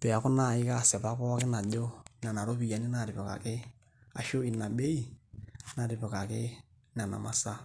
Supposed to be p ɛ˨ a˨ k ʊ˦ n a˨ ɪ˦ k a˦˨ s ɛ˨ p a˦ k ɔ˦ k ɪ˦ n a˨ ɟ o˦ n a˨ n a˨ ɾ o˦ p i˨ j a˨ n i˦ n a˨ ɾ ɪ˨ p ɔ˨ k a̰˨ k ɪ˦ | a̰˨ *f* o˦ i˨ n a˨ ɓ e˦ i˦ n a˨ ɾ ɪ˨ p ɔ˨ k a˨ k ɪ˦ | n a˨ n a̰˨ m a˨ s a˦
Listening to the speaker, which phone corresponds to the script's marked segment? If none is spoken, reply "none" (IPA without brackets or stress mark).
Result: ʃ